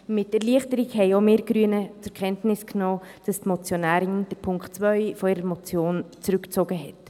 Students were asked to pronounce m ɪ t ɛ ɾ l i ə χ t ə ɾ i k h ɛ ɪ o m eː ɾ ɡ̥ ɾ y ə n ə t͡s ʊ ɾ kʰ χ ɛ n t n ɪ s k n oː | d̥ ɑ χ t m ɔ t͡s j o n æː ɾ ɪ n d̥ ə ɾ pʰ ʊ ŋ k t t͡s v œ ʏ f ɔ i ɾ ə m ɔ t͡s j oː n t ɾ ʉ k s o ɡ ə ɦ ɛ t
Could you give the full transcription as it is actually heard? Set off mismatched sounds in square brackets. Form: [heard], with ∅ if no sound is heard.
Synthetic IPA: m ɪ t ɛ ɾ l i ə χ t ə ɾ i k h ɛ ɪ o m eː ɾ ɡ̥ ɾ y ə n ə t͡s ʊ ɾ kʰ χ ɛ n t n ɪ s k n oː | d̥ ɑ [s] t m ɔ t͡s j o n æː ɾ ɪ n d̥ ə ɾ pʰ ʊ ŋ k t t͡s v œ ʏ f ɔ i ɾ ə m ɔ t͡s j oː n [t͡s] ɾ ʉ k [t͡s] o ɡ ə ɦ ɛ t